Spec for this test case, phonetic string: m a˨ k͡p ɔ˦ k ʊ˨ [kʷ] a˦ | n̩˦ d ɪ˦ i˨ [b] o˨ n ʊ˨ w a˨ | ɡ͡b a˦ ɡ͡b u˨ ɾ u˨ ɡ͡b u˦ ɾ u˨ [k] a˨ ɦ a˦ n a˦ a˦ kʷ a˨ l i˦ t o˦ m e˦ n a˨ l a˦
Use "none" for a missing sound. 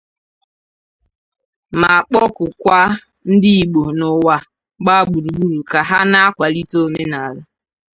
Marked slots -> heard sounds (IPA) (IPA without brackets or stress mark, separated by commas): kʷ, ɡ͡b, k